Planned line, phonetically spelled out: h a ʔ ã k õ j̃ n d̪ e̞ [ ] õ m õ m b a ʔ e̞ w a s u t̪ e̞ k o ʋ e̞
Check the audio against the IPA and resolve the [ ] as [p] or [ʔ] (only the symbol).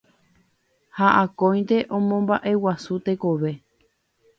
ʔ